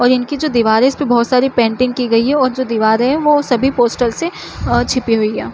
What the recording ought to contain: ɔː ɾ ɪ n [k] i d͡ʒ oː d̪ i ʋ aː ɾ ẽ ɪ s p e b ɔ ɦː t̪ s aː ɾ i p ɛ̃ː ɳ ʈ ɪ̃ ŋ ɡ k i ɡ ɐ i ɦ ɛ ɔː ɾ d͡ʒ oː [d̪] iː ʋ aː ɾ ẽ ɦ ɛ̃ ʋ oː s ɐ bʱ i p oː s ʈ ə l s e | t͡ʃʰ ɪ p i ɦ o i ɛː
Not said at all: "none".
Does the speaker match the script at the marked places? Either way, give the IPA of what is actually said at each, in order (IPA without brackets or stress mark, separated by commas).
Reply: k, d̪